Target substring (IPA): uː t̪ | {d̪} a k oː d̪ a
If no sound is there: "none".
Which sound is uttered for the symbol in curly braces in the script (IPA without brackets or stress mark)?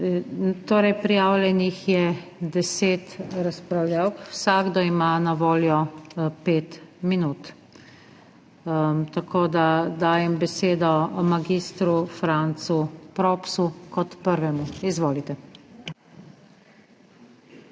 t̪